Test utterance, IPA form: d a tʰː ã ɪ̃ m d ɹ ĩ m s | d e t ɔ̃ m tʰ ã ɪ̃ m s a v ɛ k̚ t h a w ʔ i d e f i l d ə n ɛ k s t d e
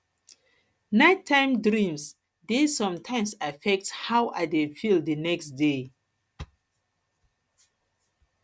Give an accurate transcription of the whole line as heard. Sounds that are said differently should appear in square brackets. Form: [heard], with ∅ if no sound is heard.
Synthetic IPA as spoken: [n] a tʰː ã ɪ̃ m d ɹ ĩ m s | d e [s] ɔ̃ m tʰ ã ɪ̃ m s a [f] ɛ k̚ t h a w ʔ [a] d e f i l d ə n ɛ k s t d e